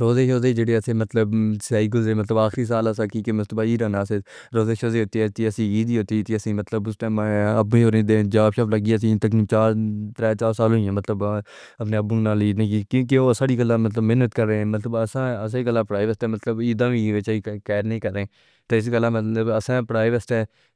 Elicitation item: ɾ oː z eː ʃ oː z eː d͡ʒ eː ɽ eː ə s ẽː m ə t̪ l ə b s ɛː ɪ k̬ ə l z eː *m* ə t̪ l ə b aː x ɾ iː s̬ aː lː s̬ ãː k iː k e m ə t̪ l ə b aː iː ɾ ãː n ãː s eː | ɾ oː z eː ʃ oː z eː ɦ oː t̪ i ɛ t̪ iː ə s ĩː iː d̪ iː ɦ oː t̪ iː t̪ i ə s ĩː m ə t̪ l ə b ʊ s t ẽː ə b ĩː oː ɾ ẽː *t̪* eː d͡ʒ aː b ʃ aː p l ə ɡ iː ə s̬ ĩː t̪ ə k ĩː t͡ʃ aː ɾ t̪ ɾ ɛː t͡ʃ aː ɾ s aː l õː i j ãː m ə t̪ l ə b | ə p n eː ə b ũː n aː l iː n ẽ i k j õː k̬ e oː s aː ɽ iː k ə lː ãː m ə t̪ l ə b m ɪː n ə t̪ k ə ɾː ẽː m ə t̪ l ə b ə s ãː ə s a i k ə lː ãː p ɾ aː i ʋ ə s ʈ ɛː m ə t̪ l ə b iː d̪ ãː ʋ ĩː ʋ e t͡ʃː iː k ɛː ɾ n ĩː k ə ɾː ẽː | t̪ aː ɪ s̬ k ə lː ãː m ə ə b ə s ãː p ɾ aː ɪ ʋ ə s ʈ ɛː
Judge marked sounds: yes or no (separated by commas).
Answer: yes, no